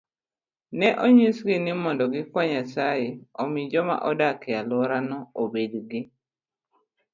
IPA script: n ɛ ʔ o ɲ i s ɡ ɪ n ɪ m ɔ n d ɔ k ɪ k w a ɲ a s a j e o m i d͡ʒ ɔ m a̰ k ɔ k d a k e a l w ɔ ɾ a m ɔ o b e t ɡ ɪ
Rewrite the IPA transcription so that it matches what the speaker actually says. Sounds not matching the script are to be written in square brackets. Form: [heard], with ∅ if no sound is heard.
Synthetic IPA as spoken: n ɛ ʔ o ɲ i s ɡ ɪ n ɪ m ɔ n d ɔ [ɡ] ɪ k w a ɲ a s a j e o m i d͡ʒ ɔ m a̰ [ʔ] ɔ [∅] d a k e a l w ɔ ɾ a [n] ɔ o b e [d] ɡ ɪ

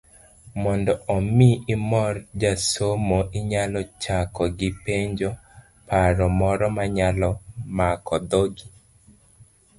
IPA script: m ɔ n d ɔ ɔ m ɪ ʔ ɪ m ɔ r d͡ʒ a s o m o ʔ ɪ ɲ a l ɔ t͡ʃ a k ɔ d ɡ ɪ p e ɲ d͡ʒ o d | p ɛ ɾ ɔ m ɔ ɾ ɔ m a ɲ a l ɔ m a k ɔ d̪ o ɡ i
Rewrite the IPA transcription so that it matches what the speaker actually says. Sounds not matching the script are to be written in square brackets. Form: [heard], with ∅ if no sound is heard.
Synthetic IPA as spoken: m ɔ n d ɔ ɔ m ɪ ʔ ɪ m ɔ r d͡ʒ a s o m o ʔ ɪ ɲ a l ɔ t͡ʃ a k ɔ [∅] ɡ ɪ p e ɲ d͡ʒ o [∅] | p [a] ɾ ɔ m ɔ ɾ ɔ m a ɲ a l ɔ m a k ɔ d̪ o ɡ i

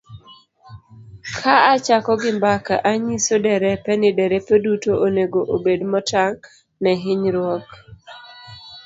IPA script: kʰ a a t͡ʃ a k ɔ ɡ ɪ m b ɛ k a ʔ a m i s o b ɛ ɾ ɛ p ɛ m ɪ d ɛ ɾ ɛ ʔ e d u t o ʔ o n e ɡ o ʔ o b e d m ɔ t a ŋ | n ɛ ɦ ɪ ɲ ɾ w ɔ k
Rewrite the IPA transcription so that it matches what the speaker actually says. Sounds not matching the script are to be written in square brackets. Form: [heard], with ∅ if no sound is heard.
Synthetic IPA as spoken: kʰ a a t͡ʃ a k ɔ ɡ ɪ m b [a] k a ʔ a [ɲ] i s o [d] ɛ ɾ ɛ p ɛ [n] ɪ d ɛ ɾ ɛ [p] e d u t o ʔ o n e ɡ o ʔ o b e d m ɔ t a ŋ | n ɛ ɦ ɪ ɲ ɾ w ɔ k

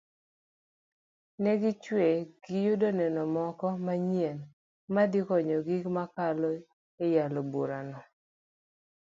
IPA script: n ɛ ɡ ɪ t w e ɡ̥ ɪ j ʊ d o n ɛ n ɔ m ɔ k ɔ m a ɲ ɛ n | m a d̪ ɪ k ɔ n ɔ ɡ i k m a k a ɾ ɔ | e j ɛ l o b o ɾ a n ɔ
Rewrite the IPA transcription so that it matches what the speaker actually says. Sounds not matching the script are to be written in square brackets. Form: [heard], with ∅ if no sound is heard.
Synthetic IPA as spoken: n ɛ ɡ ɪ [t͡ʃ] w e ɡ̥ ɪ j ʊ d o n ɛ n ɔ m ɔ k ɔ m a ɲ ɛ n | m a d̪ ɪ k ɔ [ɲ] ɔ ɡ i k m a k a [l] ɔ | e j [a] l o b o ɾ a n ɔ

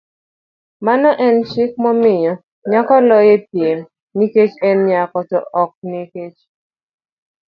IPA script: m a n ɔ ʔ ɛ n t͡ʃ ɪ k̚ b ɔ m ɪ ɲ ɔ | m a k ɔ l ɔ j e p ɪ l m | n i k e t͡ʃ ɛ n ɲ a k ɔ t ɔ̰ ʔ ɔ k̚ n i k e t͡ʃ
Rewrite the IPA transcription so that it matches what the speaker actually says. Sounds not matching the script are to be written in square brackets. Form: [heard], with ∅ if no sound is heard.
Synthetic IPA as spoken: m a n ɔ ʔ ɛ n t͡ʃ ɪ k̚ [m] ɔ m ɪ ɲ ɔ | [ɲ] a k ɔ l ɔ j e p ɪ [∅] m | n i k e t͡ʃ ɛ n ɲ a k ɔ t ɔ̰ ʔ ɔ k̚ n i k e t͡ʃ

